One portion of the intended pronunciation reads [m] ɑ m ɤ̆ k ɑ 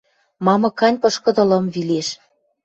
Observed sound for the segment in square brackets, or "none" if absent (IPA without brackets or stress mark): m